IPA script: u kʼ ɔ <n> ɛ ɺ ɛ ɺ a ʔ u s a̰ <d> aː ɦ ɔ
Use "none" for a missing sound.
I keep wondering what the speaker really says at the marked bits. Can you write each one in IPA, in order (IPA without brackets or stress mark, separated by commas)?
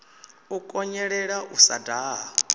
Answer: ɲ, d